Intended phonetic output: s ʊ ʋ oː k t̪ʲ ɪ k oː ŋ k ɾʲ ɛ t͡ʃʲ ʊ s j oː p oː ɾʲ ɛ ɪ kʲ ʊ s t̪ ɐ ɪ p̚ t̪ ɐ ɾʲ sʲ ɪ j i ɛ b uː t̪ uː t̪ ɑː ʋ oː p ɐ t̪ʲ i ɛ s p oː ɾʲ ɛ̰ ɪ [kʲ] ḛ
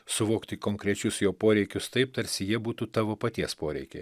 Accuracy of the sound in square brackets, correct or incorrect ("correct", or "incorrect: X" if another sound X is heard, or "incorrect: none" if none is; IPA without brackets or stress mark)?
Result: correct